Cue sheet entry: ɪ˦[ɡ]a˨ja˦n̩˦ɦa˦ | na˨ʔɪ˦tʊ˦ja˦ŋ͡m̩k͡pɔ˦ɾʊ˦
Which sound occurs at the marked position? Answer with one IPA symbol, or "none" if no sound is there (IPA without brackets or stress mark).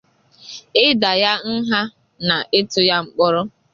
d